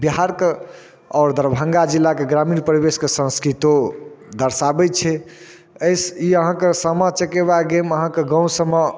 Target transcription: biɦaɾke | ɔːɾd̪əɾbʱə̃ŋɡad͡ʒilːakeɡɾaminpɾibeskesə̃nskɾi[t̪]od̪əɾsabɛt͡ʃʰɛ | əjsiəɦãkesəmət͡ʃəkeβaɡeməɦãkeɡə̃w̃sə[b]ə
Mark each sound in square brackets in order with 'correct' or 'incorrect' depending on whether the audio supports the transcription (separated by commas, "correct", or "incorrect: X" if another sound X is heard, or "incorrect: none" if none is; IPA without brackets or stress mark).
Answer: correct, incorrect: m